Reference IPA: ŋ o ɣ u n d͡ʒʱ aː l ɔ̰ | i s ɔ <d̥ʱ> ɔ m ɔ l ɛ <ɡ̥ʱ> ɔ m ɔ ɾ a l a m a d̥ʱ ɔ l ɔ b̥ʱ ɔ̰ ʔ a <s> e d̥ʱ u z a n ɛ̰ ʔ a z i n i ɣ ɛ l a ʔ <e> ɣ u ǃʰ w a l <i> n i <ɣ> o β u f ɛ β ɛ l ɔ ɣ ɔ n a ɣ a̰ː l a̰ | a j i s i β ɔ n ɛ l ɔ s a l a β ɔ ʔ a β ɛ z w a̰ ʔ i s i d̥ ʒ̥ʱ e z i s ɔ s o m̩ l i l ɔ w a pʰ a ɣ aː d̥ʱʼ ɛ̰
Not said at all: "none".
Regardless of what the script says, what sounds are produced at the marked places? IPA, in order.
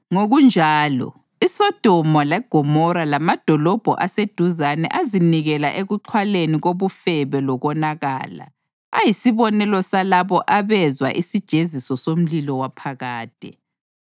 d̥ʱ, ɡ̥ʱ, s, e, e, ɣ

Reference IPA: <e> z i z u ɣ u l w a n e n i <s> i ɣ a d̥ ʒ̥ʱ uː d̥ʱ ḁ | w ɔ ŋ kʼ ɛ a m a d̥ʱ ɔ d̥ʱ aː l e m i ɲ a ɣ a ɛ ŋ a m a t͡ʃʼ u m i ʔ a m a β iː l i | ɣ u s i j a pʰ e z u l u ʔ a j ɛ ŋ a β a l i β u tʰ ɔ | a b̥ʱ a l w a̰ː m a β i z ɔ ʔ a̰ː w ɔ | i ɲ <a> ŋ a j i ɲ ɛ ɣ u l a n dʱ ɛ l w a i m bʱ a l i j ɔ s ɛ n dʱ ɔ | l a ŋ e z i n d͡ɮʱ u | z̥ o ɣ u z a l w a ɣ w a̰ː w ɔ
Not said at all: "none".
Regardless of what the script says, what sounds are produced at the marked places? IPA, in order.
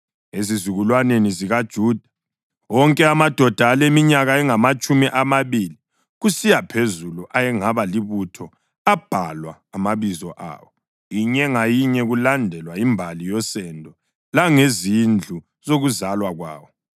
e, z, ɛ

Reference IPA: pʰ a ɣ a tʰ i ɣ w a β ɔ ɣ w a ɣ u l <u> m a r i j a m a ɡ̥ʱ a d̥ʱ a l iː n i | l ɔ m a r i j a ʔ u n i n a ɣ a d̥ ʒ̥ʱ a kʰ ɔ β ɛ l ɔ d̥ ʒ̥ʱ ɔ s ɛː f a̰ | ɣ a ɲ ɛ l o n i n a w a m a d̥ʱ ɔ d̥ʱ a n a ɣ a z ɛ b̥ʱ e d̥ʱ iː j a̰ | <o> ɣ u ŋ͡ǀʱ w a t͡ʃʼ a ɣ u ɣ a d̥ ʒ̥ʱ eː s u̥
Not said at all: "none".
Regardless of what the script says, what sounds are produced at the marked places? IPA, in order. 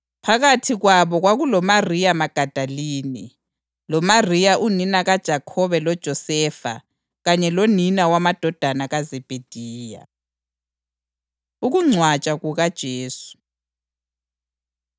ɔ, u

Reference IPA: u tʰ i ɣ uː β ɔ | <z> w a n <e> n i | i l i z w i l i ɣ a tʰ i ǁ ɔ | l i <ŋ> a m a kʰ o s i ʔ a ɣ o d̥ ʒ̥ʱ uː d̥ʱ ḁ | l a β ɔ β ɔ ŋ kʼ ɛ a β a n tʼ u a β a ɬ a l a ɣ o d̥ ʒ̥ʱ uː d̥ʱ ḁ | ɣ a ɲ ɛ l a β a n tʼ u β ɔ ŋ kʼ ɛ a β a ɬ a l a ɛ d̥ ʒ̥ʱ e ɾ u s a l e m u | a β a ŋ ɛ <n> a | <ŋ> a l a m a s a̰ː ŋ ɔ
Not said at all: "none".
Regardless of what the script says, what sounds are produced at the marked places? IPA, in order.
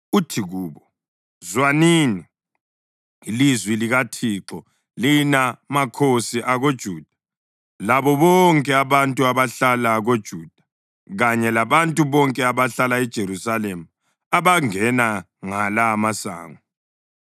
z, i, n, n, ŋ

